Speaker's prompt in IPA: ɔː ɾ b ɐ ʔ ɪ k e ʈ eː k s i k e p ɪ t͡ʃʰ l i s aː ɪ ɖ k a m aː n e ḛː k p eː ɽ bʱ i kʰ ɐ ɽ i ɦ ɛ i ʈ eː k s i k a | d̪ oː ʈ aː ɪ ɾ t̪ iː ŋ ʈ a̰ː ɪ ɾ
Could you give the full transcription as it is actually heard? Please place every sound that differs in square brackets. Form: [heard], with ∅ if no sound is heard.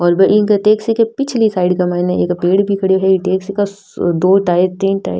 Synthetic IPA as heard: ɔː ɾ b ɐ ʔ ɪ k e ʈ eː k s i k e p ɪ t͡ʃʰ l i s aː ɪ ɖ k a m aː n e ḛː k p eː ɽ bʱ i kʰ ɐ ɽ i ɦ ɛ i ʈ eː k s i k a | d̪ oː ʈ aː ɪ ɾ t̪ iː [n] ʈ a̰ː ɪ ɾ